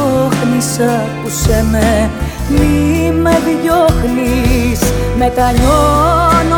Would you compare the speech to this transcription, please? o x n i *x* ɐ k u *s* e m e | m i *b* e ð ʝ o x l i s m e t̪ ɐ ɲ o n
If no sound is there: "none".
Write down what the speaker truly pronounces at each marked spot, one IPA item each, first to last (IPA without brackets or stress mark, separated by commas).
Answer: s, s, m